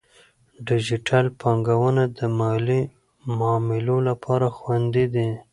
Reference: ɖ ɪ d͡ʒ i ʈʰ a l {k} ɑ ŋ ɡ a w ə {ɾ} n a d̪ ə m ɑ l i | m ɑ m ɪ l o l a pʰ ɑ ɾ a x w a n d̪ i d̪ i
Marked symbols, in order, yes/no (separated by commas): no, no